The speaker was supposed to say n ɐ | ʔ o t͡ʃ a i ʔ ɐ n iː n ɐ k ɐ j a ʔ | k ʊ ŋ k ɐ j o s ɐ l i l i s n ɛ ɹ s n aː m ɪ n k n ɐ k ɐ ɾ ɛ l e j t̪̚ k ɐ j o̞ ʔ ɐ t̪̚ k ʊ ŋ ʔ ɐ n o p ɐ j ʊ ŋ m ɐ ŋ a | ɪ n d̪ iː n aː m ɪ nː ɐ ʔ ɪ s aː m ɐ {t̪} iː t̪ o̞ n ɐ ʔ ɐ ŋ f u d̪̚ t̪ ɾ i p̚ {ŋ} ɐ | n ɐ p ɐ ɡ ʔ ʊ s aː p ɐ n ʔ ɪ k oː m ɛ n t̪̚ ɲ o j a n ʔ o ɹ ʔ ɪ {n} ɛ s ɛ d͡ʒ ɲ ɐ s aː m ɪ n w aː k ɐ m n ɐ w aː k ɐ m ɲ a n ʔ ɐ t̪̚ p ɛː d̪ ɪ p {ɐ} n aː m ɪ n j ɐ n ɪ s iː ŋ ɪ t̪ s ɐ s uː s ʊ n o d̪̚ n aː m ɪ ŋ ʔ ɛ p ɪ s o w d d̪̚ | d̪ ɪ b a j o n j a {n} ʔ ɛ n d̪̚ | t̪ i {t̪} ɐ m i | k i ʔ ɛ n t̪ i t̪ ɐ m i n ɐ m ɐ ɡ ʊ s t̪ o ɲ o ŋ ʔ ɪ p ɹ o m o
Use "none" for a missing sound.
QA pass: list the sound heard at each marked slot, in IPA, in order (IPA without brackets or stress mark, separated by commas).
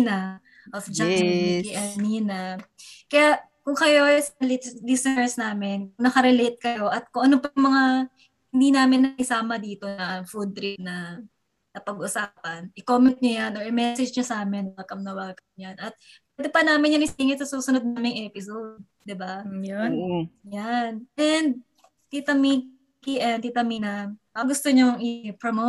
d̪, n, m, ɐ, n, t̪